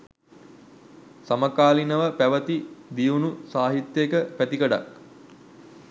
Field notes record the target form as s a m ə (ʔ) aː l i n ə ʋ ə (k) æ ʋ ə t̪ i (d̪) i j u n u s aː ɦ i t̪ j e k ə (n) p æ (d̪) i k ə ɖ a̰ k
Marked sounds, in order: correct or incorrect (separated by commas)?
incorrect, incorrect, correct, incorrect, incorrect